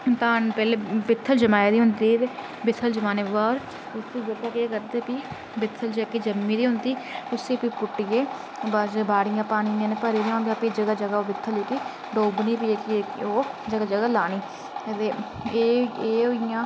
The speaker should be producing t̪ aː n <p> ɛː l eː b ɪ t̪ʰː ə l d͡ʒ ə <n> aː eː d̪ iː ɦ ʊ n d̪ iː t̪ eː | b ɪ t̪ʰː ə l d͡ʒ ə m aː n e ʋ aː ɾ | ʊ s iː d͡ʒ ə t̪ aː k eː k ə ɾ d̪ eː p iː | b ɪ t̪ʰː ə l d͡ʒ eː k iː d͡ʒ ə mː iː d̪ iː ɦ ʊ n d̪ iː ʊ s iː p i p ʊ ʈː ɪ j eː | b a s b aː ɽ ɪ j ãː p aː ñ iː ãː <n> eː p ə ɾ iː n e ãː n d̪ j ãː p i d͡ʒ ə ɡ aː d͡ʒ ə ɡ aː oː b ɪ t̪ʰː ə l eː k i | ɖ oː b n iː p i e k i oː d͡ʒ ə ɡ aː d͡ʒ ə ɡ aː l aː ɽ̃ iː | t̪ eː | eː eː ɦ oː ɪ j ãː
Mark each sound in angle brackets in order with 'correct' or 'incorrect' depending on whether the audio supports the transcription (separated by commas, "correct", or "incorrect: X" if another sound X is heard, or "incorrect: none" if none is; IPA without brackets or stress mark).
correct, incorrect: m, correct